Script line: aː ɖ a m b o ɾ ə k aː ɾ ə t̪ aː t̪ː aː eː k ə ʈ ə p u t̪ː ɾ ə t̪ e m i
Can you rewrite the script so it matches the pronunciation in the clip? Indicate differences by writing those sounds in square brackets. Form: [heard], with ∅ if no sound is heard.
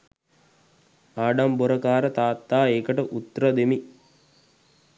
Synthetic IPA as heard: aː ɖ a m b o ɾ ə k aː ɾ ə t̪ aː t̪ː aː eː k ə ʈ ə [ʔ] u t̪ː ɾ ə [d̪] e m i